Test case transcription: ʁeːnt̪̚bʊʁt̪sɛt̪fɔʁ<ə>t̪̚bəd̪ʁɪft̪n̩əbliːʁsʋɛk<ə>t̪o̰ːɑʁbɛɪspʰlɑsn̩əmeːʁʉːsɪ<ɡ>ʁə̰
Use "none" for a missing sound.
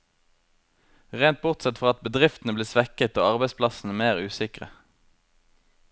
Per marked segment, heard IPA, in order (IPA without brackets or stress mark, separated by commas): ɑ, ə, k